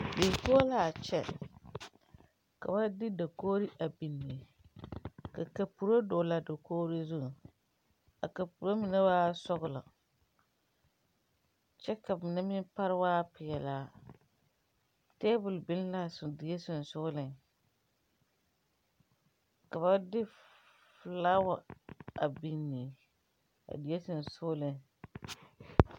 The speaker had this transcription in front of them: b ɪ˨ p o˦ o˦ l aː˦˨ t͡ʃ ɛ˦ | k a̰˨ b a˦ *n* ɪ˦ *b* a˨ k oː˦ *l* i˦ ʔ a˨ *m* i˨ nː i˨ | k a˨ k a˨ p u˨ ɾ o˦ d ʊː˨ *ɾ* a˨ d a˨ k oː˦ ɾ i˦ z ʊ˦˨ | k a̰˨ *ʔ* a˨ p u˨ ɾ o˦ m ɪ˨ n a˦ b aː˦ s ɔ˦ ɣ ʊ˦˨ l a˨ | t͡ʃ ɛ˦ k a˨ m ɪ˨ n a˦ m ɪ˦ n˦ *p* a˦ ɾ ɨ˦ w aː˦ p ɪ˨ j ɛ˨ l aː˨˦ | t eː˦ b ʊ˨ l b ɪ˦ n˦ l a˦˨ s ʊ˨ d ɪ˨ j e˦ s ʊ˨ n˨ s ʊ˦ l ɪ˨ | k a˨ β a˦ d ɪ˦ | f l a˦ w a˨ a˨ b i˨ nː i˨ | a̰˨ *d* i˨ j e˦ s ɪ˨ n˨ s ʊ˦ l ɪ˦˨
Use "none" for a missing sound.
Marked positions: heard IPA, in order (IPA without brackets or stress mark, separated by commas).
d, d, ɾ, b, l, k, p, d